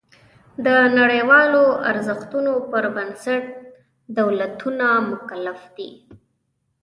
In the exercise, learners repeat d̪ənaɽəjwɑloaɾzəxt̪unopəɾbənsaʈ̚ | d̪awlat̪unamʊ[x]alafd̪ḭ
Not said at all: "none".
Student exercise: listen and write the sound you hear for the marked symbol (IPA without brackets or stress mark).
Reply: k